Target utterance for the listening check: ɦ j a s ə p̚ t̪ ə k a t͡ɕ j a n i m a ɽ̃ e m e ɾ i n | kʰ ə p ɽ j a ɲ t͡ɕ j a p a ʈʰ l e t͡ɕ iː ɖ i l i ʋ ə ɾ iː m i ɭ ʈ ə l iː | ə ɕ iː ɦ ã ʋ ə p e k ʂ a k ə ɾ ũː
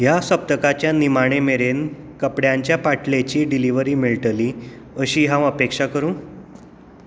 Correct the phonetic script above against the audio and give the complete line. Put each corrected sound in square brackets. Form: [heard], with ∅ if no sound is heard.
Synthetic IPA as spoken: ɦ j a s ə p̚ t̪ ə k a t͡ɕ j a n i m a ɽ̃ e m e ɾ [e] n | [k] ə p ɽ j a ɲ t͡ɕ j a p a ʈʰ l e t͡ɕ iː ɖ i l i ʋ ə ɾ iː m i ɭ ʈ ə l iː | ə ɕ iː ɦ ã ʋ ə p e k ʂ a k ə ɾ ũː